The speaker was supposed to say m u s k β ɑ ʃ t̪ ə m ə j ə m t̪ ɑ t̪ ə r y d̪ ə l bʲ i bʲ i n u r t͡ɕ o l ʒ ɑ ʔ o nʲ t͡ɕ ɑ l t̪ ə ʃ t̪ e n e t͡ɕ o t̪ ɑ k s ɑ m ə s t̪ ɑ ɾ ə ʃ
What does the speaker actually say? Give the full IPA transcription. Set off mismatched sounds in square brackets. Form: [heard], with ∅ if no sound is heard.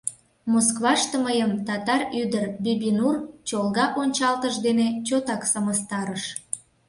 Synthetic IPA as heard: m [o] s k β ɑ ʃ t̪ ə m ə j ə m t̪ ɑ t̪ [ɑ] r y d̪ ə [r] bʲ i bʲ i n u r t͡ɕ o l [ɣ] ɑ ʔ o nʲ t͡ɕ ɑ l t̪ ə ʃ [d̪] e n e t͡ɕ o t̪ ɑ k s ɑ m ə s t̪ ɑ ɾ ə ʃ